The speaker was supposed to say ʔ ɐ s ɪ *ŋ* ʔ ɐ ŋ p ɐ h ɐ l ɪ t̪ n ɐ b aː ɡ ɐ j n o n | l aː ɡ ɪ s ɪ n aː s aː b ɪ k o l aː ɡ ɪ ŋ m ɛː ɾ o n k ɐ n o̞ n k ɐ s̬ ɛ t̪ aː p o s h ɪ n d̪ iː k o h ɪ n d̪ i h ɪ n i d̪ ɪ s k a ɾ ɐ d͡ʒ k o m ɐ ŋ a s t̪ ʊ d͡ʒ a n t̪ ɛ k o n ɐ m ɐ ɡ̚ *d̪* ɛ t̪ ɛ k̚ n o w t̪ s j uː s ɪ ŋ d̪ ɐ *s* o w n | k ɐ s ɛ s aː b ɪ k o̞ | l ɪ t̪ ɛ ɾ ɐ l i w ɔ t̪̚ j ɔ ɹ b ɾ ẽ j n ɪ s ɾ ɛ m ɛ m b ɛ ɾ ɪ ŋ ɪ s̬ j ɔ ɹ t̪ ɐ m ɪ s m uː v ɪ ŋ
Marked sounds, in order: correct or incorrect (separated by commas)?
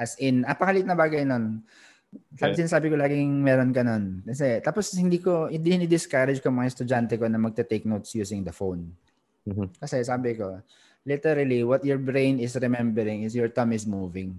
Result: incorrect, incorrect, incorrect